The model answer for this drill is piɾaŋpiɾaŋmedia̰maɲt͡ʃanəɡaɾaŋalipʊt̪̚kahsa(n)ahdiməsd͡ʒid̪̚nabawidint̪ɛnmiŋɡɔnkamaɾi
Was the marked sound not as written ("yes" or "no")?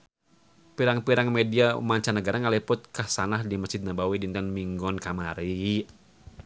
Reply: no